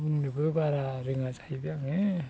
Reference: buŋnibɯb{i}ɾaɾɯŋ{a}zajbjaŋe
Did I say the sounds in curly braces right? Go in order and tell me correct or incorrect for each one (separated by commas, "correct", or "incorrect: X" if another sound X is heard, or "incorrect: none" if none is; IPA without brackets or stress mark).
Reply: incorrect: a, correct